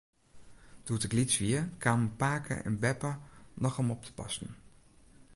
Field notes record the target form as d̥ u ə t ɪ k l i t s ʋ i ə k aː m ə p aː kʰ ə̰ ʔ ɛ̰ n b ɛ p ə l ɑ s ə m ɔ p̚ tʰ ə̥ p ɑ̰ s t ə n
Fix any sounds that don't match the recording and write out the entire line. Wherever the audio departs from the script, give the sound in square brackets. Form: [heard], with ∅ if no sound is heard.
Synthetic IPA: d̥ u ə t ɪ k l i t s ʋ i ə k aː m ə p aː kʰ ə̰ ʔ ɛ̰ n b ɛ p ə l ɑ [χ] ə m ɔ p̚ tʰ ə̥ p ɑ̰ s t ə n